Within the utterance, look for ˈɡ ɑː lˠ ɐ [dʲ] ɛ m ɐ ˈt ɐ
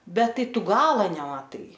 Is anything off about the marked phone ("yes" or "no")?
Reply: yes